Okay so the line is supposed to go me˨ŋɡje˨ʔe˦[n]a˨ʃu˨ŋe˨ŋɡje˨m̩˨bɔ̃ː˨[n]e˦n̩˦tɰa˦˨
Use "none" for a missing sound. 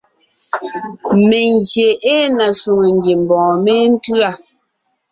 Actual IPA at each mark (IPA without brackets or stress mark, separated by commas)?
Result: n, m